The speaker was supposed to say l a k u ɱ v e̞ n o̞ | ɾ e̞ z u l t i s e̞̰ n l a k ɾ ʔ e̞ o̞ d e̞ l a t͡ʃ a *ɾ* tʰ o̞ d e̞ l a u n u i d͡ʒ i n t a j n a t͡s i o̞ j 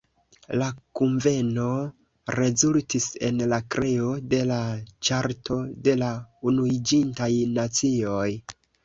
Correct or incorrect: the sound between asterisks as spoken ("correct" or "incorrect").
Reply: correct